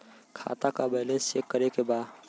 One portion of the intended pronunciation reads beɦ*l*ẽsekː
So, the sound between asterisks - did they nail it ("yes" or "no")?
yes